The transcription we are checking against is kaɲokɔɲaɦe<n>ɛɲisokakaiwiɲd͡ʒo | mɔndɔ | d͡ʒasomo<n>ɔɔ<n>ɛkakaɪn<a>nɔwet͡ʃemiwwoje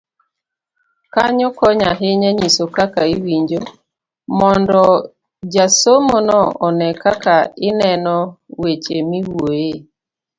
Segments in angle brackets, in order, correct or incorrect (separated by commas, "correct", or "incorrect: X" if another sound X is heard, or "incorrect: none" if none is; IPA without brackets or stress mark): incorrect: ɲ, correct, correct, incorrect: ɛ